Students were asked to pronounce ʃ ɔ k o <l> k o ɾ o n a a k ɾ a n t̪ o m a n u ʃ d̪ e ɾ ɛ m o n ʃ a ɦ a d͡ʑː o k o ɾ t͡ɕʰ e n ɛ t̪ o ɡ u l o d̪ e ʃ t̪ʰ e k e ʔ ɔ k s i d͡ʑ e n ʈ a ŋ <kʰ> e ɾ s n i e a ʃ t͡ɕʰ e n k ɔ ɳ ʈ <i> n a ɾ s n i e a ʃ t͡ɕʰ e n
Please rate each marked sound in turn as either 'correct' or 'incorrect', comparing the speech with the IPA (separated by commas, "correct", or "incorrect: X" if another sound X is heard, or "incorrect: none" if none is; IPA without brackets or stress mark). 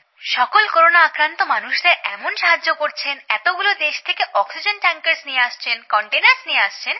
correct, incorrect: k, incorrect: e